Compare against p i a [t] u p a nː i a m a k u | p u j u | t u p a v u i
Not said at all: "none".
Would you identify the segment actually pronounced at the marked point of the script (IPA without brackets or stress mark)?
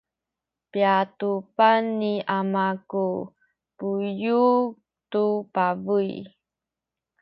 t